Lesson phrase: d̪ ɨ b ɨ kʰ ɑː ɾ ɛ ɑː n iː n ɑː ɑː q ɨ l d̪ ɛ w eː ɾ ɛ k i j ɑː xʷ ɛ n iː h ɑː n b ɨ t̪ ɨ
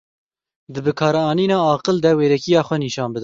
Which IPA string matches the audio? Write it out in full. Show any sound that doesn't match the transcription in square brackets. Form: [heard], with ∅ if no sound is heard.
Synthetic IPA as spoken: d̪ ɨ b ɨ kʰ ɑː ɾ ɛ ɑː n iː n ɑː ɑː q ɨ l d̪ ɛ w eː ɾ ɛ k i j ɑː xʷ ɛ n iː [ʃ] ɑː n b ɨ [d̪] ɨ